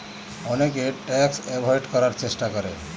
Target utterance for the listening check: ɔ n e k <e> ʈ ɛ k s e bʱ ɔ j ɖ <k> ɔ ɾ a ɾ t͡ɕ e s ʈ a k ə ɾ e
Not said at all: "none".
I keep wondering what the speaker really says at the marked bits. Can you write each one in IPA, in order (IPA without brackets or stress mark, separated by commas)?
e, k